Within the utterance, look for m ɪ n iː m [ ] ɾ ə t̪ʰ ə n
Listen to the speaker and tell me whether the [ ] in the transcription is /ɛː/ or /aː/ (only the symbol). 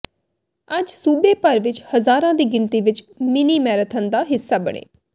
ɛː